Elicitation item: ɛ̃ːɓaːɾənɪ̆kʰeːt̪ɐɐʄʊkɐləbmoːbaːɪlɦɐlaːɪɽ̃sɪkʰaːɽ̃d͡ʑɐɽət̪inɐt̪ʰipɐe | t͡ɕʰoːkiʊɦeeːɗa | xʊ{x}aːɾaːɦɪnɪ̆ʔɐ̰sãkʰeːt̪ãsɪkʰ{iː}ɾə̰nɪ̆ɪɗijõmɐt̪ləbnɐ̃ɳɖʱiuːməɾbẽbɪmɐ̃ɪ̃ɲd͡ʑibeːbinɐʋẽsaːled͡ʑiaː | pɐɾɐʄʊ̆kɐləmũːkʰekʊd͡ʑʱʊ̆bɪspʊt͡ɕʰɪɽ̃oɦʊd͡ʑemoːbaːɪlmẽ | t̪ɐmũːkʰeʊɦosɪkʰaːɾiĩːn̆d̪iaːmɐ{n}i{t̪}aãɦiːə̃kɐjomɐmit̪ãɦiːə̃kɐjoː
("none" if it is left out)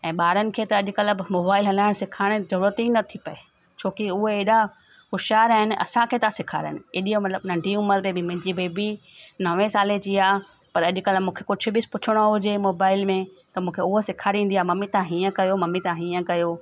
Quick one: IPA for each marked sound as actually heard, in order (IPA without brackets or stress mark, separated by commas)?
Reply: ʃ, aː, m, t̪